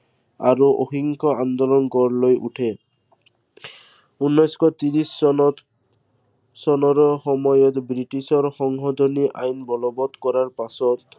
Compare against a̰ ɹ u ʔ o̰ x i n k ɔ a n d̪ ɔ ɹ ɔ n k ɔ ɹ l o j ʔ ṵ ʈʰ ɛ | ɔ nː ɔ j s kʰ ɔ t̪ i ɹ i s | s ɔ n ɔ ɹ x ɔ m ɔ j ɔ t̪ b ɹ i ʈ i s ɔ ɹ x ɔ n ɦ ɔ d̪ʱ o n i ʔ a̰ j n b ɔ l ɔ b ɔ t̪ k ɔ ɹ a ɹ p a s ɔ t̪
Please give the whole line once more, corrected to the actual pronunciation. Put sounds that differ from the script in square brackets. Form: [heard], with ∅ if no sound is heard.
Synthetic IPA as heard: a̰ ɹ u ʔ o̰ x i [ŋ] k ɔ a n d̪ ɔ [l] ɔ n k ɔ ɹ l o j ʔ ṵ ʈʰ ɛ | [u] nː ɔ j s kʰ ɔ t̪ i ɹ i s | s ɔ n ɔ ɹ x ɔ m ɔ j ɔ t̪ b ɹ i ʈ i s ɔ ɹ x ɔ [ŋ] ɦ ɔ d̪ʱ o n i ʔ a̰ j n b ɔ l ɔ b ɔ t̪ k ɔ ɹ a ɹ p a s ɔ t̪